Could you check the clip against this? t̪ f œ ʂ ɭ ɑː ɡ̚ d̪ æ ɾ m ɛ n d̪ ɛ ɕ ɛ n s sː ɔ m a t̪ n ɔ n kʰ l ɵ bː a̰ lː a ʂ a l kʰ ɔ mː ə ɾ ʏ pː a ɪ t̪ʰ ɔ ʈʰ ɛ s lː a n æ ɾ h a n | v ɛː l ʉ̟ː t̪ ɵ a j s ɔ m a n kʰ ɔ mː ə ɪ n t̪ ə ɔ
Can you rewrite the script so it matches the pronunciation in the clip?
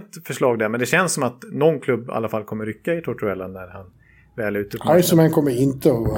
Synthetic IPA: t̪ f œ ʂ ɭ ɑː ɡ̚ d̪ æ ɾ m ɛ n d̪ ɛ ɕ ɛ n s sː ɔ m a t̪ n ɔ n kʰ l ɵ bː a̰ lː a f a l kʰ ɔ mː ə ɾ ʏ kː a ɪ t̪ʰ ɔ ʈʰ ɛ lː a n æ ɾ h a n | v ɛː l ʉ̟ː t̪ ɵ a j s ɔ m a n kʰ ɔ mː ə ɪ n t̪ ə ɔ